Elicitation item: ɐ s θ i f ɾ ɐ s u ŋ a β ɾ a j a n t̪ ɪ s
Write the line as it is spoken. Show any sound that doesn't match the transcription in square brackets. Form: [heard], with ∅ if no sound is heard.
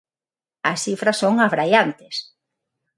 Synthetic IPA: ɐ s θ i f ɾ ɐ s [o] ŋ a β ɾ a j a n t̪ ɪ s